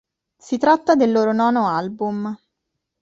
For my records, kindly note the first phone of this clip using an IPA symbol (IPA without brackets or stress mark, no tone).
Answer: s